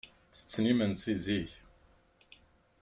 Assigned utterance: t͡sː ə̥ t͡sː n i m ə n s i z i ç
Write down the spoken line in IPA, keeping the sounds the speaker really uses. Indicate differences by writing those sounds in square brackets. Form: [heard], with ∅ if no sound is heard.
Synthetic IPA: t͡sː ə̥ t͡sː n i m ə n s i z i ç